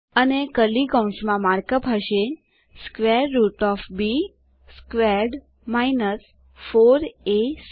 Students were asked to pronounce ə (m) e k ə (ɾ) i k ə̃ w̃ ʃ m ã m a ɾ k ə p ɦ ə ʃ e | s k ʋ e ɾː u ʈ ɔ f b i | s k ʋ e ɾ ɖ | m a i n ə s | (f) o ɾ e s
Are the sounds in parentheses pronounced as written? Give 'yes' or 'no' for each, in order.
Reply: no, no, yes

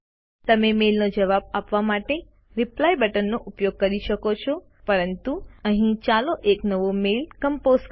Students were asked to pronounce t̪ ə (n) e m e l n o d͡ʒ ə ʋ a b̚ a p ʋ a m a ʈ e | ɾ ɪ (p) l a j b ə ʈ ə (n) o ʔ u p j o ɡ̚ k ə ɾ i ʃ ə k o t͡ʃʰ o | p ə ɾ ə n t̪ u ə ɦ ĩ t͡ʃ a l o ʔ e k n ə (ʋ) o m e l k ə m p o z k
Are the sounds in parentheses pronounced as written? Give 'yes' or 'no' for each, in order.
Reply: no, yes, no, yes

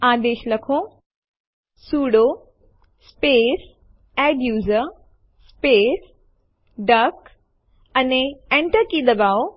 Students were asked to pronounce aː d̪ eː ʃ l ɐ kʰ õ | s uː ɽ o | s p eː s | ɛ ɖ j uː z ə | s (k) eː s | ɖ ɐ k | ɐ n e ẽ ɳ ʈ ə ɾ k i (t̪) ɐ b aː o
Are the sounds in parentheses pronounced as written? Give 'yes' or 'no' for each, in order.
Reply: no, no

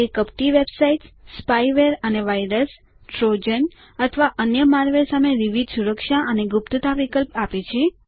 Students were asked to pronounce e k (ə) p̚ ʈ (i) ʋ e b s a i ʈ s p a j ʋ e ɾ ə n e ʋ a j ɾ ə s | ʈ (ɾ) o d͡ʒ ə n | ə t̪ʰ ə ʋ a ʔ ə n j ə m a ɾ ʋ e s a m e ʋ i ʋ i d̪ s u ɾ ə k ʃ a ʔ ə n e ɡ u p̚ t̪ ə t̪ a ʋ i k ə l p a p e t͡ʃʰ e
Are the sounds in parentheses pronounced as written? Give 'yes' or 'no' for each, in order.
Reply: yes, yes, yes

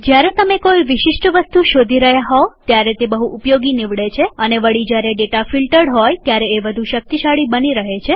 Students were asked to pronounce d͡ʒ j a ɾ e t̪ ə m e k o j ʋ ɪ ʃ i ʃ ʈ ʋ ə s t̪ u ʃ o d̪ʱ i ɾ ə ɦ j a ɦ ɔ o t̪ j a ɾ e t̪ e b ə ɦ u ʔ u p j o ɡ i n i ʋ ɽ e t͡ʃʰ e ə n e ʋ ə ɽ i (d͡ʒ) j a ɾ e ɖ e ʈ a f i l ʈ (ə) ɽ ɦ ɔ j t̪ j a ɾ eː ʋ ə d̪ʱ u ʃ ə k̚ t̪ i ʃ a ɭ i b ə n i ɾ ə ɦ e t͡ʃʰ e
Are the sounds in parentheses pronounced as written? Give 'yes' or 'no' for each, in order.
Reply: yes, yes

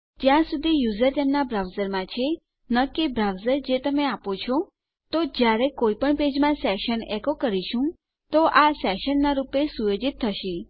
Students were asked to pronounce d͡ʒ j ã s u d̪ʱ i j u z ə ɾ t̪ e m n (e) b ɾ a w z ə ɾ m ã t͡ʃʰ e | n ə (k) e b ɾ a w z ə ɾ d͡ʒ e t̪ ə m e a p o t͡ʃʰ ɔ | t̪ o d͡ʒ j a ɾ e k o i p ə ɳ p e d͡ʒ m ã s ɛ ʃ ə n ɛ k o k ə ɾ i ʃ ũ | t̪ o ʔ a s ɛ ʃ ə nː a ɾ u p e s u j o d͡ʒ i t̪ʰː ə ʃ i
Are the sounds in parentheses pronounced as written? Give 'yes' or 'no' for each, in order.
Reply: no, yes

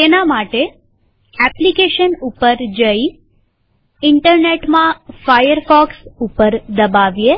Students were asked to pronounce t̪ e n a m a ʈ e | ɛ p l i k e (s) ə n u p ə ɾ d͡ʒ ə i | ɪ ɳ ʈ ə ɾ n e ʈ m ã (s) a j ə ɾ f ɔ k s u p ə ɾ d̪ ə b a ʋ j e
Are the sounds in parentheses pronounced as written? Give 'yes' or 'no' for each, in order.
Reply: no, no

